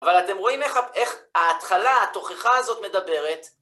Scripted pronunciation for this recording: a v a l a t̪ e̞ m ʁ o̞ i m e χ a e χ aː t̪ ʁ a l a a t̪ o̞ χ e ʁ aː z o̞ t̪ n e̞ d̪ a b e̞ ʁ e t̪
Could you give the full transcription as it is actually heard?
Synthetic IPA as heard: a v a l a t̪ e̞ m ʁ o̞ i m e χ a e χ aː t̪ χ a l a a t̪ o̞ χ e χ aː z o̞ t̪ m e̞ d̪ a b e̞ ʁ e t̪